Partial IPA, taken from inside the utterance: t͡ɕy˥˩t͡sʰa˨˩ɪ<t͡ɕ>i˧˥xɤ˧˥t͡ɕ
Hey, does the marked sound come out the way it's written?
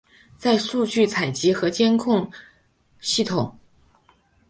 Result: yes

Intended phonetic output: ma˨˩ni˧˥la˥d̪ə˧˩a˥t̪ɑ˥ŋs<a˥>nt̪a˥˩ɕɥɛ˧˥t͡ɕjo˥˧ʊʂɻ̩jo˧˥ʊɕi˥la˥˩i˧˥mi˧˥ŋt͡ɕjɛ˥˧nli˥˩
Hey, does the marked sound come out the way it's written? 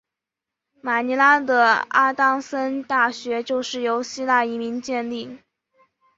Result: no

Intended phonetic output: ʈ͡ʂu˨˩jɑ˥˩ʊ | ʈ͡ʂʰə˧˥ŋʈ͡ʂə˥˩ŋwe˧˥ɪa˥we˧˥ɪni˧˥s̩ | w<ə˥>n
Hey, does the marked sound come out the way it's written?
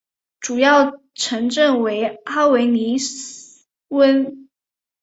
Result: yes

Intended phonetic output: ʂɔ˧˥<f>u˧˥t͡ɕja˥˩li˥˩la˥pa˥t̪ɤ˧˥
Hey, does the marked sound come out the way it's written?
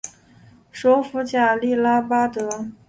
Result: yes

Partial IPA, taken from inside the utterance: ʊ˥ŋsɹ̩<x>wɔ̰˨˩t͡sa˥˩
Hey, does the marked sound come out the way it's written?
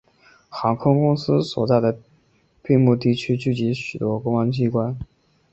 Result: no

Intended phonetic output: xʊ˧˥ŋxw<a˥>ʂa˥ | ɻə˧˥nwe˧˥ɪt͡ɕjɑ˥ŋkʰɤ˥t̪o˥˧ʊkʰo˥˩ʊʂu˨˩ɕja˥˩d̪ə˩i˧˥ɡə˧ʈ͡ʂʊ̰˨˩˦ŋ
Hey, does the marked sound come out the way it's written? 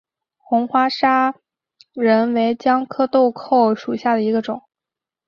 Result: yes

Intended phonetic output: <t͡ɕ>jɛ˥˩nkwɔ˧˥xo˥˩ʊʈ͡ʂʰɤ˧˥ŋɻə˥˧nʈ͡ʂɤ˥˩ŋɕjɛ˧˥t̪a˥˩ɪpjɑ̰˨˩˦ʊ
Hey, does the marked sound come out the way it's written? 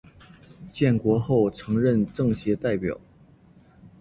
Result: yes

